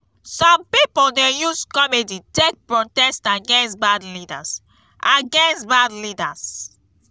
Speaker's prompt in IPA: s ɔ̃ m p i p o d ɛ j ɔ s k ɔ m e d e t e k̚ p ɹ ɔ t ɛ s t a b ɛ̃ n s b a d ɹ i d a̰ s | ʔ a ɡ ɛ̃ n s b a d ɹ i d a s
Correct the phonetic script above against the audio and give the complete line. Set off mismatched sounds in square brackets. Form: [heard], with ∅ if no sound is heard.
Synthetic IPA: s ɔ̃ m p i p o d ɛ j [u] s k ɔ m e d [i] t e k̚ p ɹ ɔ t ɛ s t a [ɡ] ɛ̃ n s b a d [l] i d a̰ s | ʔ a ɡ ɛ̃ n s b a d [l] i d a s